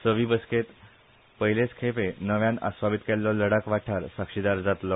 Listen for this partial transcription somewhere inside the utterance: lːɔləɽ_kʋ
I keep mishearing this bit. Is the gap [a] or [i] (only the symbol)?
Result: a